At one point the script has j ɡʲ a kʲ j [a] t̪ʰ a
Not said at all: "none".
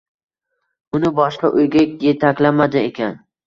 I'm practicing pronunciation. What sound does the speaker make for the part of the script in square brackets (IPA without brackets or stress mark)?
e